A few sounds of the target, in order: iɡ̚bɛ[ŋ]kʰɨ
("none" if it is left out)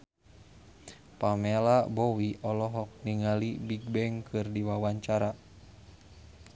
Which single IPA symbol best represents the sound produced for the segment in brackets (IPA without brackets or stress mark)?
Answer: ŋ